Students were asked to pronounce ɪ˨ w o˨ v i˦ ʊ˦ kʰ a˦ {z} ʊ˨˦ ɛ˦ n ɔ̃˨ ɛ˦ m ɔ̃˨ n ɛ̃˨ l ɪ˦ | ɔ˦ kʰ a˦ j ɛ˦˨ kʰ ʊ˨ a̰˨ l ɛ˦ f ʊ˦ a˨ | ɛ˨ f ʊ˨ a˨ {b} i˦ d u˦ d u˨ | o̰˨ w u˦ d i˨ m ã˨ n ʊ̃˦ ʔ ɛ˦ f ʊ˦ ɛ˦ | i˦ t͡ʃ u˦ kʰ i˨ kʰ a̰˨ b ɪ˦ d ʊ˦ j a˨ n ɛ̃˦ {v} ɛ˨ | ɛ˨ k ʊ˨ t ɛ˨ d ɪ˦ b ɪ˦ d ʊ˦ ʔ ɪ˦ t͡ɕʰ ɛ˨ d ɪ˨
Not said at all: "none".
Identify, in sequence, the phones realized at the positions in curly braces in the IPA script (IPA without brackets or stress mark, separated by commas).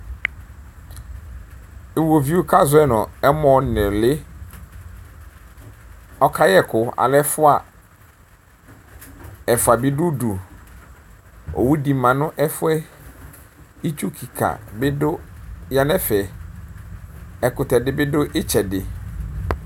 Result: z, b, f